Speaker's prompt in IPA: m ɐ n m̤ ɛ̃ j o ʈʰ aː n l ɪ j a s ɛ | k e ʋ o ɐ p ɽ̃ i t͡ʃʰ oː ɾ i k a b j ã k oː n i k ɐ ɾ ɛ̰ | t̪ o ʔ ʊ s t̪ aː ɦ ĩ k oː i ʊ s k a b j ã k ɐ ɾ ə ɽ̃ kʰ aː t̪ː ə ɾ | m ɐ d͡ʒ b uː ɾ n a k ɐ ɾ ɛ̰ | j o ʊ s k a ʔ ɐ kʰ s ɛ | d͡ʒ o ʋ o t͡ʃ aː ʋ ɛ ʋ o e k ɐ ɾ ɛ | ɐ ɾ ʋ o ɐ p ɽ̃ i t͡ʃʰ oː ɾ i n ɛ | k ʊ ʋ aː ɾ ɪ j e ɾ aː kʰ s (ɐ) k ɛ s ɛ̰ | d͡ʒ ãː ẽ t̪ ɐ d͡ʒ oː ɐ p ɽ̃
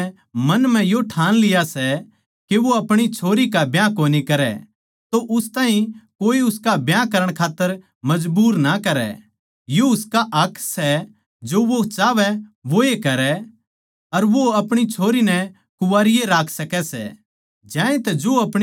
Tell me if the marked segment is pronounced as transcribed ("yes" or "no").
yes